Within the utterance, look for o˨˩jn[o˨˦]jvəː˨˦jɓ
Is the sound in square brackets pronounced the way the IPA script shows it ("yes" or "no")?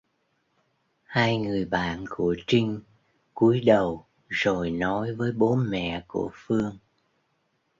no